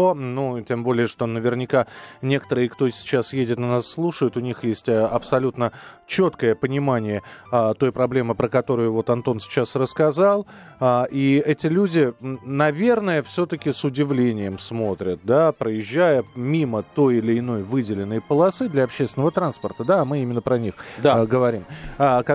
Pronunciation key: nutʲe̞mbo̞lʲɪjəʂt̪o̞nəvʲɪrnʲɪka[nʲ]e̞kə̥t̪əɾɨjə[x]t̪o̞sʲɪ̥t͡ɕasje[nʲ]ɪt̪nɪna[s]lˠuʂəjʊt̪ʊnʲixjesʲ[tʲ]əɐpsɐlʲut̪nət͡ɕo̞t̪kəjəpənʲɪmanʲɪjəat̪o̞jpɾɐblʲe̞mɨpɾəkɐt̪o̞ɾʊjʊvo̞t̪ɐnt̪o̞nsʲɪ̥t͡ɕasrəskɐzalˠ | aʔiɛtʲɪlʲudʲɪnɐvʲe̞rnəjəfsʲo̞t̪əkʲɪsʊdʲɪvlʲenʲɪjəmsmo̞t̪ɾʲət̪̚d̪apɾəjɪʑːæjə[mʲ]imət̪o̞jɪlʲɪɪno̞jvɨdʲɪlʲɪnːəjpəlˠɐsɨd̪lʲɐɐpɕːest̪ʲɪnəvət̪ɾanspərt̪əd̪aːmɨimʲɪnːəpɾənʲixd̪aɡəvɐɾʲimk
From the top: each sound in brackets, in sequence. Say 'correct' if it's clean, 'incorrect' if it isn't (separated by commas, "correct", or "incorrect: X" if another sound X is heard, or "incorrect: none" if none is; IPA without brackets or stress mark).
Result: correct, incorrect: k, incorrect: dʲ, incorrect: sː, correct, correct